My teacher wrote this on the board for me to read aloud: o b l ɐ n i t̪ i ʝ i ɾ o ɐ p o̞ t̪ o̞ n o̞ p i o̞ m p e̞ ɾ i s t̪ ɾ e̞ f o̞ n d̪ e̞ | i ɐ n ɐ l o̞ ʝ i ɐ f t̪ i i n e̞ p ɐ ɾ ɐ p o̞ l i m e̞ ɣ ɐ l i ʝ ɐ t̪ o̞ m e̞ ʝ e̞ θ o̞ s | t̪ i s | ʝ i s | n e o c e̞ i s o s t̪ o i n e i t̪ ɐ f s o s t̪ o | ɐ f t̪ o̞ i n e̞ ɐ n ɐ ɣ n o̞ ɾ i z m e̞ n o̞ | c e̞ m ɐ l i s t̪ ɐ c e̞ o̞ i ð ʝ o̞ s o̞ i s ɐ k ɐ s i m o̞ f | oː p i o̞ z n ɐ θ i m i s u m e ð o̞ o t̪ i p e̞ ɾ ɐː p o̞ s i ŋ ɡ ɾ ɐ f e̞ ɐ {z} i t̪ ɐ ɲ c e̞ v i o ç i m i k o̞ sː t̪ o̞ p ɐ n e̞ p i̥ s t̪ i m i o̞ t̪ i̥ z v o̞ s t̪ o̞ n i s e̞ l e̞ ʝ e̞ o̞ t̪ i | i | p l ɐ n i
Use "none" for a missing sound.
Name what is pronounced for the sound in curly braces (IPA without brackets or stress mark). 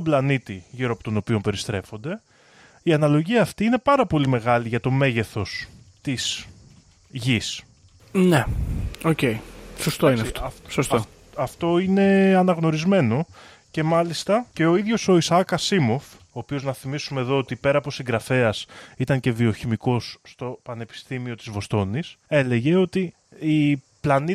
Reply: s